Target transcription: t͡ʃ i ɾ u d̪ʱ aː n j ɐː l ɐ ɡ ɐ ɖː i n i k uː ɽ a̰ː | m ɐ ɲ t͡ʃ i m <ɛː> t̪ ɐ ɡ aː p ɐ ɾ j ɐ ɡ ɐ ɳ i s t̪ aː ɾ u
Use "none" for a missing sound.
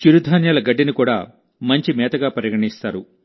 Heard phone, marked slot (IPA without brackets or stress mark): ɛː